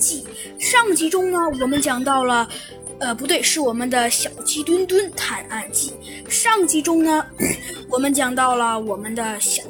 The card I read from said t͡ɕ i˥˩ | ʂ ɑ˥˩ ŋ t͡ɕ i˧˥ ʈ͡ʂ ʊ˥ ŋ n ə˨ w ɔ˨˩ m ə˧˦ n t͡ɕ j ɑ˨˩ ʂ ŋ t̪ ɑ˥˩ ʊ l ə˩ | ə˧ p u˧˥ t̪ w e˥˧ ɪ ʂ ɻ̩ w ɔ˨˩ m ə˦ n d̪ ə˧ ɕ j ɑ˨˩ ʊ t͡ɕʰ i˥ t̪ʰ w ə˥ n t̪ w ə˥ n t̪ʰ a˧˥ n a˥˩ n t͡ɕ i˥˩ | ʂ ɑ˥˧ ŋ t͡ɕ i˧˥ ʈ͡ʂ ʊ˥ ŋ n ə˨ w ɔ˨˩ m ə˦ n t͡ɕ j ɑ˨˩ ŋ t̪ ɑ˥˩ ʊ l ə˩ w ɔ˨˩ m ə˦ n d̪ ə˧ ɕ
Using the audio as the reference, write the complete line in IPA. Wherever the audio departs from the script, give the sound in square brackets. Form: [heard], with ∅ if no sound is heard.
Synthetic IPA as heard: t͡ɕ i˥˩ | ʂ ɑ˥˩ ŋ t͡ɕ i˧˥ ʈ͡ʂ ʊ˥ ŋ n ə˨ w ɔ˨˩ m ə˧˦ n t͡ɕ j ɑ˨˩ [∅] ŋ t̪ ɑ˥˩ ʊ l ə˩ | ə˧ p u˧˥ t̪ w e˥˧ ɪ ʂ ɻ̩ w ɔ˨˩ m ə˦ n d̪ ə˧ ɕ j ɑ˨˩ ʊ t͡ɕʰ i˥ [t̪] w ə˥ n t̪ w ə˥ n t̪ʰ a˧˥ n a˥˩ n t͡ɕ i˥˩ | ʂ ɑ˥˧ ŋ t͡ɕ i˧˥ ʈ͡ʂ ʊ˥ ŋ n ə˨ w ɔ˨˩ m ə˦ n t͡ɕ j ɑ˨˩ ŋ t̪ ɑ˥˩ ʊ l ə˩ w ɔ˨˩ m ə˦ n d̪ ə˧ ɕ